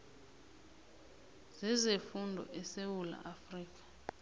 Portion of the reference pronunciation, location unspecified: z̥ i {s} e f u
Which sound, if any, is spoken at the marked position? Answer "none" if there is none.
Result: z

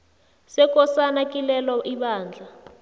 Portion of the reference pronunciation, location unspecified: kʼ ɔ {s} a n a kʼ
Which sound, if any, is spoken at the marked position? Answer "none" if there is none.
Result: s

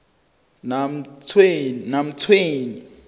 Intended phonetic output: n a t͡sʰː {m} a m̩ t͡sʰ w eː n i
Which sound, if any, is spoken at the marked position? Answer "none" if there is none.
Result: n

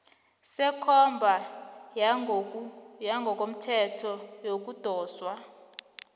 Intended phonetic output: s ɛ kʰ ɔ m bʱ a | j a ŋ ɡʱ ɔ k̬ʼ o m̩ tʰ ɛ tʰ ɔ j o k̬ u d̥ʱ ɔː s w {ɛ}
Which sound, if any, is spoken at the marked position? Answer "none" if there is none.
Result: a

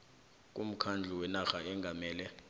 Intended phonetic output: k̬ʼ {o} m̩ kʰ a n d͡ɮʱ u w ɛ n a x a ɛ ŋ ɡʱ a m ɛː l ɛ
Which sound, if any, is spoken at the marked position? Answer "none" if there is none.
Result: u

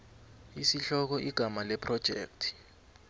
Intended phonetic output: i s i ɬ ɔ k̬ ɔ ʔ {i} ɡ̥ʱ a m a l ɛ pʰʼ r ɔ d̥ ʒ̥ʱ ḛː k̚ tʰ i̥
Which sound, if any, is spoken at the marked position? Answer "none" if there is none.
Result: i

